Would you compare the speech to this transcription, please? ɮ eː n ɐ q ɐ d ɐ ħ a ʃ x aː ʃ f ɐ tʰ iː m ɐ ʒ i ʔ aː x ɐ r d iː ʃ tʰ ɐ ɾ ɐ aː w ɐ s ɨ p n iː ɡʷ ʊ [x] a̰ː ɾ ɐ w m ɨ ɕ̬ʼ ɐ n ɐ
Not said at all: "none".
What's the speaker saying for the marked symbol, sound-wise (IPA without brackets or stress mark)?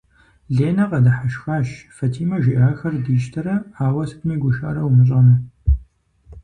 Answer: ʃ